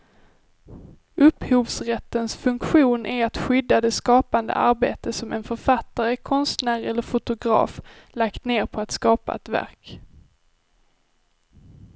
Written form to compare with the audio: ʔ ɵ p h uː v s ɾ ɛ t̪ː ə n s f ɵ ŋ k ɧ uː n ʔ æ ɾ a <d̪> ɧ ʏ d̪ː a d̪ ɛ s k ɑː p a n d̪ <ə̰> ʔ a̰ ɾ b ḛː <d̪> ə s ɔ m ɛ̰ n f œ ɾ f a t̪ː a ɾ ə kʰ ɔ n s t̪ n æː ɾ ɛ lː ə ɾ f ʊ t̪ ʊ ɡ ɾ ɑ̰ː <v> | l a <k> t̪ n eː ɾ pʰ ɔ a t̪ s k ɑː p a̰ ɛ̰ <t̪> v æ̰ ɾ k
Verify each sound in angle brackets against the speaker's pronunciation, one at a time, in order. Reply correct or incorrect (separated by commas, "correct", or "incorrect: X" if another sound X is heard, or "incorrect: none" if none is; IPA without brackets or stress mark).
incorrect: t̪, correct, incorrect: t̪, incorrect: f, correct, correct